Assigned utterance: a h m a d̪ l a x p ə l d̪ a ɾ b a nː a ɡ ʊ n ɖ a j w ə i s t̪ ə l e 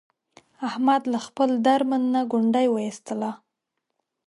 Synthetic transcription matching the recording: a h m a d̪ l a x p ə l d̪ a ɾ m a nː a ɡ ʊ ɳ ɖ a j w ə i s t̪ ə l a